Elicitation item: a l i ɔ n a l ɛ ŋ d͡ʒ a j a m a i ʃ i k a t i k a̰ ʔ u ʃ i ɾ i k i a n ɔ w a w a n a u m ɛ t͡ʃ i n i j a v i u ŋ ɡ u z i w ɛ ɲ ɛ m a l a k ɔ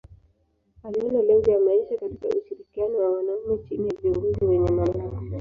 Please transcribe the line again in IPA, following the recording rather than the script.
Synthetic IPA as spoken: a l i ɔ n a l ɛ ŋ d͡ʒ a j a m a i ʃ a k a t i k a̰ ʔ u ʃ i ɾ i k i a n ɔ w a w a n a u m ɛ t͡ʃ i n i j a v i u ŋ ɡ u z i w ɛ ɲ ɛ m a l a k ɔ